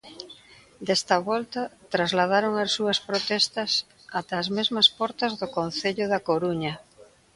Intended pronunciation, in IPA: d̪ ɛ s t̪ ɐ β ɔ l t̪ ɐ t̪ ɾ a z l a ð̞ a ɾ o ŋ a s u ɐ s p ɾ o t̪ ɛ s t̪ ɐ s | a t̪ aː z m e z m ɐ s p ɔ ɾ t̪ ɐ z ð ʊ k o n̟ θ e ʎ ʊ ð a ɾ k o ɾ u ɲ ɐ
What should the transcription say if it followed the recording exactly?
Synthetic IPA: d̪ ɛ s t̪ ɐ β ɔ l t̪ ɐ t̪ ɾ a z l a ð̞ a ɾ o ŋ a s u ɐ s p ɾ o t̪ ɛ s t̪ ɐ s | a t̪ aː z m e z m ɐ s p ɔ ɾ t̪ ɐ z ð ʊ k o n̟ θ e ʎ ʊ ð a k o ɾ u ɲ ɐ